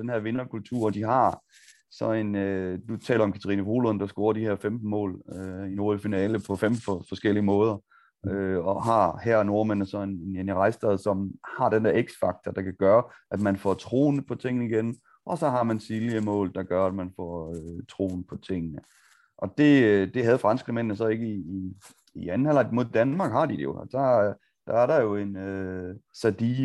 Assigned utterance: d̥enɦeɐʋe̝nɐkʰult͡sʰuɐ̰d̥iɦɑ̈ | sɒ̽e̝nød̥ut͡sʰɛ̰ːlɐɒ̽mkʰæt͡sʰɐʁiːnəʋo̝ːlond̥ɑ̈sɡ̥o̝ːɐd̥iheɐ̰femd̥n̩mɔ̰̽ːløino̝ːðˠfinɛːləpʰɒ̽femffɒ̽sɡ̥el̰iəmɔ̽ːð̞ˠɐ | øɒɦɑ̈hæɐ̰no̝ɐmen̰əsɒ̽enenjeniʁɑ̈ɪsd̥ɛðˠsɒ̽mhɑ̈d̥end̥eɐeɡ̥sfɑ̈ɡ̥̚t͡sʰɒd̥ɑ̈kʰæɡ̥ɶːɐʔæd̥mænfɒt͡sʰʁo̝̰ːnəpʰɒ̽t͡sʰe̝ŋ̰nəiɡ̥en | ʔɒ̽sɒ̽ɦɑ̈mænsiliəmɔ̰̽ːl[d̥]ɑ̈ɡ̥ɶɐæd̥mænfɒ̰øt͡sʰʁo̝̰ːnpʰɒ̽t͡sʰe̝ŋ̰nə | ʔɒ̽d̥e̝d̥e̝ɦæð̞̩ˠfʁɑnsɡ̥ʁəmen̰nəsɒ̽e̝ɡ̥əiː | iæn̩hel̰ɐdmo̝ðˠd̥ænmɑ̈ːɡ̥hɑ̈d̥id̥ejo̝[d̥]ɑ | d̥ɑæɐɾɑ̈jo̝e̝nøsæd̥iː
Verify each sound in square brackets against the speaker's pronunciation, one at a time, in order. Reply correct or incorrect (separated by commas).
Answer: correct, correct